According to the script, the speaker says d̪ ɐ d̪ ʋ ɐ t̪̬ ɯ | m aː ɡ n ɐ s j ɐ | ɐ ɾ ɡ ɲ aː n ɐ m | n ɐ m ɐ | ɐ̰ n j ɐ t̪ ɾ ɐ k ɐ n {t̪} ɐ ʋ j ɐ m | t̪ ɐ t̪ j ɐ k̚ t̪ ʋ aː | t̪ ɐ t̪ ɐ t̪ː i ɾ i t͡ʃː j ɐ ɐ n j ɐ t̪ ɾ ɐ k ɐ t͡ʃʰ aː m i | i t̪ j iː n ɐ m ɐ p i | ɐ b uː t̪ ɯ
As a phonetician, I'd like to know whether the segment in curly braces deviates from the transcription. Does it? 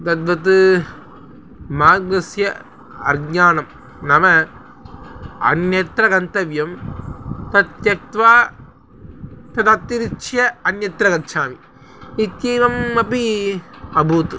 no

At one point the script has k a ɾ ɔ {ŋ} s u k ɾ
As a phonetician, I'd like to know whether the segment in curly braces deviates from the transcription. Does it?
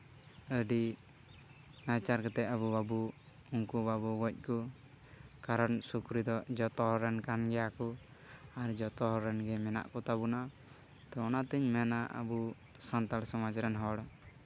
yes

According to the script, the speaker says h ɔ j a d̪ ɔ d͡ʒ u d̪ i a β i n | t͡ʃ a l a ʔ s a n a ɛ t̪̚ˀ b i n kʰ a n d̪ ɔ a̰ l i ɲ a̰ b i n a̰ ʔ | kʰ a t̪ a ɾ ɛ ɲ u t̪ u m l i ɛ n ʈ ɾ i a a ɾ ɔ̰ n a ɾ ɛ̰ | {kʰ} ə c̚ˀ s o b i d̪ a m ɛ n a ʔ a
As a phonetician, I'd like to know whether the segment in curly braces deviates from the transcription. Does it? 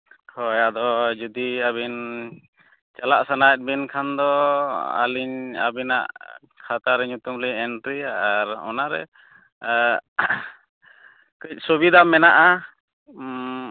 yes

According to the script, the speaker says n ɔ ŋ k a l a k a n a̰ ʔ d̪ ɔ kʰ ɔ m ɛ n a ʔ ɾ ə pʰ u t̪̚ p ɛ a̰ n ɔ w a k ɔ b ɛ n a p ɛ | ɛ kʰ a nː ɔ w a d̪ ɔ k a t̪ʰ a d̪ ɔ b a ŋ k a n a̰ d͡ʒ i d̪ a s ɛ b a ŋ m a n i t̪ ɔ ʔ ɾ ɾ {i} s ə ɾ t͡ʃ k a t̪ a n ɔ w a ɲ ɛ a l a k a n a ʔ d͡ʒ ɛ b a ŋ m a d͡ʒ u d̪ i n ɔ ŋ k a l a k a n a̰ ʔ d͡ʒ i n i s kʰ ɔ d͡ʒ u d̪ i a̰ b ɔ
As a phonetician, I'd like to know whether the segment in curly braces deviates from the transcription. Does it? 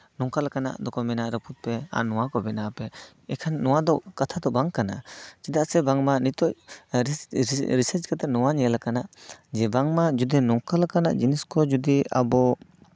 no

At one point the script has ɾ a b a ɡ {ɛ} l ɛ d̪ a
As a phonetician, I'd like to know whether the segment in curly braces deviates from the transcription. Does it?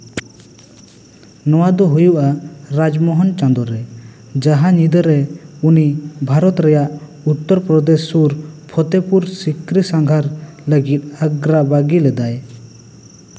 yes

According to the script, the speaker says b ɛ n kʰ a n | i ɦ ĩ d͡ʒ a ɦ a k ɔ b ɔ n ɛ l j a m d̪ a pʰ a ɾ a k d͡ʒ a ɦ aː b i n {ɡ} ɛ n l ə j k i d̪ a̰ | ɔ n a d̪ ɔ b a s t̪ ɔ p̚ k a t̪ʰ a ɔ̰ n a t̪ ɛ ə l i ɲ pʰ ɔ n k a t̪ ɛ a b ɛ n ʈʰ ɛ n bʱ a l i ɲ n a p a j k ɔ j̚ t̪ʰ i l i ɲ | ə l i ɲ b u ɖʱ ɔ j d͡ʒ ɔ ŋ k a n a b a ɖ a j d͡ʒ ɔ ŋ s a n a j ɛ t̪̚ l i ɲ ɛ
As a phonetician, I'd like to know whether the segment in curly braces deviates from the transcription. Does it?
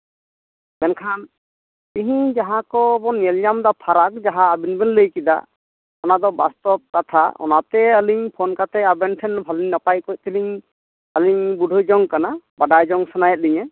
yes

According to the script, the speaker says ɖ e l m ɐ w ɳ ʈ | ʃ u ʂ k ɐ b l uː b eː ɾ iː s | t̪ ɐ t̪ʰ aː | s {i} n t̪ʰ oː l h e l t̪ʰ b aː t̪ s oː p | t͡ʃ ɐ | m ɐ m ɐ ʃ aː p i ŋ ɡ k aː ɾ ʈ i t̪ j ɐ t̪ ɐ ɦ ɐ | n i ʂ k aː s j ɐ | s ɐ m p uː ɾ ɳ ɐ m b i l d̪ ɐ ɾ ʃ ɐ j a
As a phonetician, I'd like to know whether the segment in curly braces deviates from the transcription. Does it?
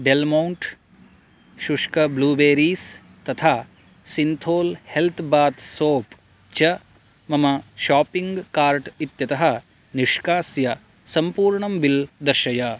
no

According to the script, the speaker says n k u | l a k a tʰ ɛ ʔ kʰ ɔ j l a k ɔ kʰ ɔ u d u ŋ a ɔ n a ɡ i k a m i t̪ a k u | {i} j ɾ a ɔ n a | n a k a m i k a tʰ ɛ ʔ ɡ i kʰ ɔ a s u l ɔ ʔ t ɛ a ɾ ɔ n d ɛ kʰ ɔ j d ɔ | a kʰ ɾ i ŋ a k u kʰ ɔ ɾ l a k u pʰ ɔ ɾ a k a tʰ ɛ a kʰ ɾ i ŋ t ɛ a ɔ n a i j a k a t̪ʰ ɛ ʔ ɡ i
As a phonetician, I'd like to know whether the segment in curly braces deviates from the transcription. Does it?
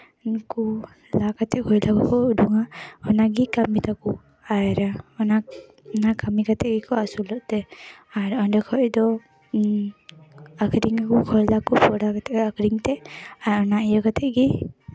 yes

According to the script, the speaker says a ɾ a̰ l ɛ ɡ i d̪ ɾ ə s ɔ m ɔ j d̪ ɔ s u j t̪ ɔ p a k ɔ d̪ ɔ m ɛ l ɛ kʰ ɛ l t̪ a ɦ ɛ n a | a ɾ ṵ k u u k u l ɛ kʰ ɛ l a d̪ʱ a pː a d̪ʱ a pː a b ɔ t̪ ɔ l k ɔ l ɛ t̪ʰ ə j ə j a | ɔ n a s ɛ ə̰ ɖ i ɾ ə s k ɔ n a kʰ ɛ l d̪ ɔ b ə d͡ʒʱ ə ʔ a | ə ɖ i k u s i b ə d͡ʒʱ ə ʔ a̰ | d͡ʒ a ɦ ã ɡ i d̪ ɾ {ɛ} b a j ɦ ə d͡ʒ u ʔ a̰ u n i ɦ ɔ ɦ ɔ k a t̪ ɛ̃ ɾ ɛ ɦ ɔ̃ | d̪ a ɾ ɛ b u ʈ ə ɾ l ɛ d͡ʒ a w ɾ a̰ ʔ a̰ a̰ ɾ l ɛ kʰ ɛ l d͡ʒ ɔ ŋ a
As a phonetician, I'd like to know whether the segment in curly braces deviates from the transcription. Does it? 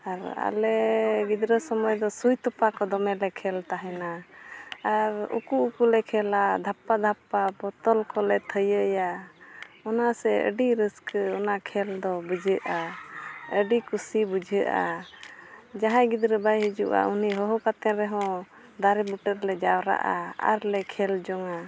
no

